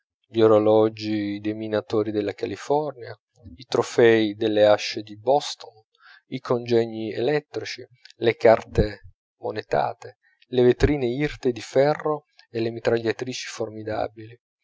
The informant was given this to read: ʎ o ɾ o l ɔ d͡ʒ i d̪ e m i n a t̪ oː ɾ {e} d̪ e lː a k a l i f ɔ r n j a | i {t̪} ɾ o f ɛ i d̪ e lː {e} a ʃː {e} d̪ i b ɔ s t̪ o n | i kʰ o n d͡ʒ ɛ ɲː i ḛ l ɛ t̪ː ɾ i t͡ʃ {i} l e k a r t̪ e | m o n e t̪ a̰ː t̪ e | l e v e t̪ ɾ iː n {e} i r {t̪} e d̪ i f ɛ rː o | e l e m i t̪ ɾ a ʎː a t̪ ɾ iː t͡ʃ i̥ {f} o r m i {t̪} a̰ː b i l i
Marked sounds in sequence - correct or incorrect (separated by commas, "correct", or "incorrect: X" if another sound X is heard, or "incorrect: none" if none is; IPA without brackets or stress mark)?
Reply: incorrect: i, correct, correct, correct, correct, correct, correct, correct, incorrect: d̪